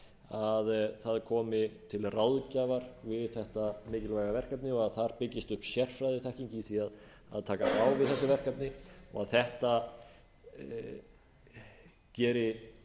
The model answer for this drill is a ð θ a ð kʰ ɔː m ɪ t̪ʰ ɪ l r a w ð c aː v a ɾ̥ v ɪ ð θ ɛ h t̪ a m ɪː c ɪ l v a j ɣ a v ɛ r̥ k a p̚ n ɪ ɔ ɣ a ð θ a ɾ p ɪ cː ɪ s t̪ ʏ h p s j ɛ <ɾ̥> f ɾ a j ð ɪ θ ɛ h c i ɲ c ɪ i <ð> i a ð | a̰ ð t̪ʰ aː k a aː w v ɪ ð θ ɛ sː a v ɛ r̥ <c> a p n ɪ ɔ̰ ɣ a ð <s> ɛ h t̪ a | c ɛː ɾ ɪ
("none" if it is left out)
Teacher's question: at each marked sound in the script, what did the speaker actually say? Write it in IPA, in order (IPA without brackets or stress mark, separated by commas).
r̥, θ, k, θ